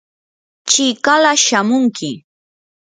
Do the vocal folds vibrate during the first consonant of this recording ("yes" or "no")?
no